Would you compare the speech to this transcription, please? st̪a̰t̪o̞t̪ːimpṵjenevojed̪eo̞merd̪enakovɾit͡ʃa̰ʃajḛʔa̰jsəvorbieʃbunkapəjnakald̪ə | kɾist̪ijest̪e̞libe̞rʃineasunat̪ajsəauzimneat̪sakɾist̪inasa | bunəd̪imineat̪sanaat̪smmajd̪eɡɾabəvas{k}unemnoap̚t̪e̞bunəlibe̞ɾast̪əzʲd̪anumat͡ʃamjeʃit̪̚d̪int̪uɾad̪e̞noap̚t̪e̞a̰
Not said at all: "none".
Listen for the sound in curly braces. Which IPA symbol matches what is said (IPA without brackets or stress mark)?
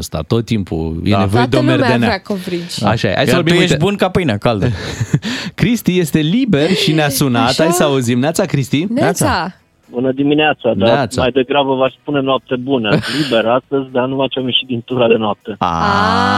p